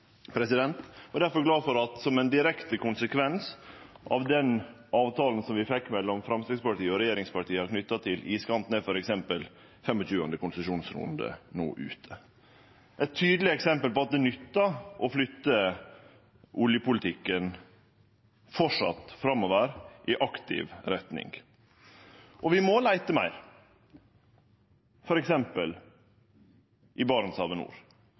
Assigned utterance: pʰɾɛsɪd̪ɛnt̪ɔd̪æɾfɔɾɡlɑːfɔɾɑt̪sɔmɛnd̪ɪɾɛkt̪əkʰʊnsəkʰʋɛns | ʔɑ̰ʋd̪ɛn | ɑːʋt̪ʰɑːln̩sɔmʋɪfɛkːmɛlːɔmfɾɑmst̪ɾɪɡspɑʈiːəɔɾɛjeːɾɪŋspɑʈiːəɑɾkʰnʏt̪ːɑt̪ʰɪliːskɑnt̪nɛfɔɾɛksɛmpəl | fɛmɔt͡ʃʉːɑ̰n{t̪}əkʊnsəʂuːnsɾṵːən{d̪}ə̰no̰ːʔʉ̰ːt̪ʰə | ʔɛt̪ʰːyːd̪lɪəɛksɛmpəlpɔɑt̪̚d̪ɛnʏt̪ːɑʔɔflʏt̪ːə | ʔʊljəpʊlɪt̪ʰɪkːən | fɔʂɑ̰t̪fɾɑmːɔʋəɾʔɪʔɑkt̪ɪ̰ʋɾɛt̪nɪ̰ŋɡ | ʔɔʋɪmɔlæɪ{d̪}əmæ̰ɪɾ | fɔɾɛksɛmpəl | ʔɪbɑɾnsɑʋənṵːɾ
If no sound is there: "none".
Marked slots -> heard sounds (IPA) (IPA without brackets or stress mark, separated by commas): d̪, d̪, t̪